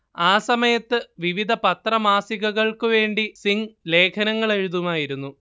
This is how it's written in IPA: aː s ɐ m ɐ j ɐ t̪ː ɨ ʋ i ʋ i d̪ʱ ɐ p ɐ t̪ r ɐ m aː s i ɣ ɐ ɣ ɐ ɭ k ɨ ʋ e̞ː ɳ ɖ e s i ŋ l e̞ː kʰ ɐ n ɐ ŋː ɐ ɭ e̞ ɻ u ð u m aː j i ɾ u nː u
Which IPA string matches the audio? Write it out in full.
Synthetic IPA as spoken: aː s ɐ m ɐ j ɐ t̪ː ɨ ʋ i ʋ i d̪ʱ ɐ p ɐ t̪ r ɐ m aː s i ɣ ɐ ɣ ɐ ɭ k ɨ ʋ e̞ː ɳ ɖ i s i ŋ l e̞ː kʰ ɐ n ɐ ŋː ɐ ɭ e̞ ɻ u ð u m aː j i ɾ u nː u